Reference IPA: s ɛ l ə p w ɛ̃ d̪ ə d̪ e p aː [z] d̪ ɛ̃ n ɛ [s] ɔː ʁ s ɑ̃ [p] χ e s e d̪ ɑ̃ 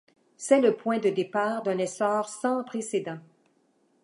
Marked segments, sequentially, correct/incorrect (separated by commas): incorrect, correct, correct